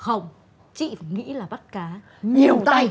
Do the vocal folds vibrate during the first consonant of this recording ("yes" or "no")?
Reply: no